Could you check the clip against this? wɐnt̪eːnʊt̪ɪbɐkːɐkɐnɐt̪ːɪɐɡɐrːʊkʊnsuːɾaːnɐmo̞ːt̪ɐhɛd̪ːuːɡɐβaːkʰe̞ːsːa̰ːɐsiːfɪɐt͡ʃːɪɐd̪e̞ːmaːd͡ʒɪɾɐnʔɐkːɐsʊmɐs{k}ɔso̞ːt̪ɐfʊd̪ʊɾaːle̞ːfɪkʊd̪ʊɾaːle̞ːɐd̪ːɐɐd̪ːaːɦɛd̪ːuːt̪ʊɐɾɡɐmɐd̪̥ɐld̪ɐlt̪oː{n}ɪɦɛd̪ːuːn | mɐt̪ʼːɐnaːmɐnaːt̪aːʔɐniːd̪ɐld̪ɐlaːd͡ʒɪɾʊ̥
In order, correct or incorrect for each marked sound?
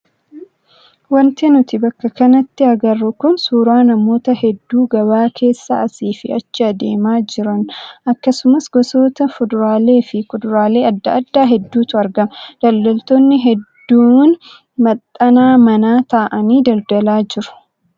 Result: incorrect, incorrect

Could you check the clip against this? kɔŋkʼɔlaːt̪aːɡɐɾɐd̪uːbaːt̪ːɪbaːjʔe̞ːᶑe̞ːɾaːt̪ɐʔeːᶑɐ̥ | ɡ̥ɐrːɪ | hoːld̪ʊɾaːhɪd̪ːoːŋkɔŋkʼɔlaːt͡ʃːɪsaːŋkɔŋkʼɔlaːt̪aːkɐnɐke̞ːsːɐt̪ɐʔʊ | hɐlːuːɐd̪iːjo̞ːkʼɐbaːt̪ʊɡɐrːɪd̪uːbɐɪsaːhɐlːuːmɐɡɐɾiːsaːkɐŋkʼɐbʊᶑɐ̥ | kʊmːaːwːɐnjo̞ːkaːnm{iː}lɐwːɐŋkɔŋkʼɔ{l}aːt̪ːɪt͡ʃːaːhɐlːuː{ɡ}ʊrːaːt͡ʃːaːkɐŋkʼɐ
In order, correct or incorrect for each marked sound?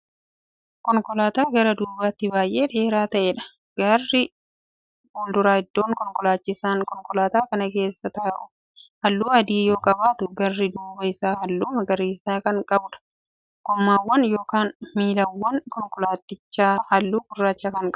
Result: correct, correct, incorrect

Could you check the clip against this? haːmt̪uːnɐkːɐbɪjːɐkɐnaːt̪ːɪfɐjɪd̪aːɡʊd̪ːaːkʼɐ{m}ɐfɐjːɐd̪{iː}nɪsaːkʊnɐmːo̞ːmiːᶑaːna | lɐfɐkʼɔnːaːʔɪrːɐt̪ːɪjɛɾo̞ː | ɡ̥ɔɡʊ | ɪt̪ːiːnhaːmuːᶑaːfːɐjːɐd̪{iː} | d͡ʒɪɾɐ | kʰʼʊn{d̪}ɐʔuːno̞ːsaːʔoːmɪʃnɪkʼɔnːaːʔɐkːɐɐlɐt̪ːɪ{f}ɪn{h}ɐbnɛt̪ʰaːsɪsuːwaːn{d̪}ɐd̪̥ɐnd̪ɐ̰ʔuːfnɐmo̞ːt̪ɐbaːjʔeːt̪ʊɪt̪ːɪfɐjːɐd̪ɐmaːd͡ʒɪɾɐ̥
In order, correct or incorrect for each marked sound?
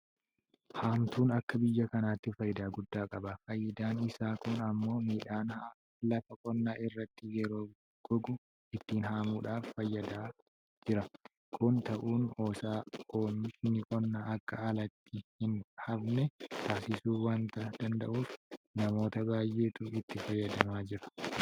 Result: incorrect, incorrect, incorrect, incorrect, incorrect, correct, incorrect

